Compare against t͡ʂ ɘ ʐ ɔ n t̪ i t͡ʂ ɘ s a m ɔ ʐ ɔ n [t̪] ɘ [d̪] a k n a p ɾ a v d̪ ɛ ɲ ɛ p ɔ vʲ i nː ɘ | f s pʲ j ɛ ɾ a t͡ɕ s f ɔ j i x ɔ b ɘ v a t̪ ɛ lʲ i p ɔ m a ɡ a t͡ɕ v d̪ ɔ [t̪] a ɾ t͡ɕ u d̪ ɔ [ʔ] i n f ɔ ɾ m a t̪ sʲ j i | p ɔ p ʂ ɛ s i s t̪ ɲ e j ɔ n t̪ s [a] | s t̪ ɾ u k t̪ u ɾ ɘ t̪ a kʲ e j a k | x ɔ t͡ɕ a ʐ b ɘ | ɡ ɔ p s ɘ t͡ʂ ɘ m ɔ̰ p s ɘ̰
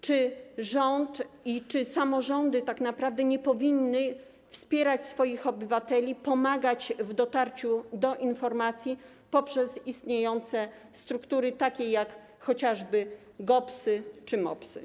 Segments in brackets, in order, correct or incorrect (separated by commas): incorrect, incorrect, correct, correct, incorrect